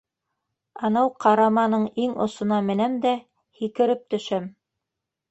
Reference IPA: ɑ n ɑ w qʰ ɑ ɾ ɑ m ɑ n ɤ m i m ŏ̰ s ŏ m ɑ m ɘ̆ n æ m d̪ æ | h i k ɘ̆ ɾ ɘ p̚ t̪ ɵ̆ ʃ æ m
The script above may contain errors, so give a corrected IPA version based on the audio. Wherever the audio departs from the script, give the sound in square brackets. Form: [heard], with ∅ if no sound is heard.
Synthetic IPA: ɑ n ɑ w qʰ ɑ ɾ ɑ m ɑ n ɤ [ɴ] i [ŋ] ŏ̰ s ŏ [n] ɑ m ɘ̆ n æ m d̪ æ | h i k ɘ̆ ɾ ɘ p̚ t̪ ɵ̆ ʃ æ m